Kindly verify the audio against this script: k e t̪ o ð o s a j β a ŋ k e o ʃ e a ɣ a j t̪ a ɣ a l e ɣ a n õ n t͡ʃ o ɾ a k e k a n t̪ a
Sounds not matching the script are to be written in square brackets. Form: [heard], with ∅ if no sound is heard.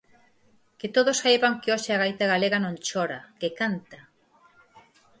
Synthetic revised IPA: k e t̪ o ð o s a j β a ŋ k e o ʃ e a ɣ a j t̪ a ɣ a l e ɣ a n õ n t͡ʃ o ɾ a k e k a n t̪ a